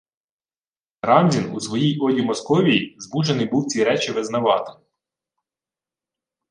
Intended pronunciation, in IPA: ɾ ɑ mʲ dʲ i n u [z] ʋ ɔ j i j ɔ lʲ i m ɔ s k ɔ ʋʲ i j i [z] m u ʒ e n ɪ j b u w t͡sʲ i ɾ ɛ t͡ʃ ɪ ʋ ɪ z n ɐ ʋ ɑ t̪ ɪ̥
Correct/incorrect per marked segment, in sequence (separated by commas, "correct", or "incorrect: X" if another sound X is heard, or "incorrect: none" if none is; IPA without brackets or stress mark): incorrect: s, correct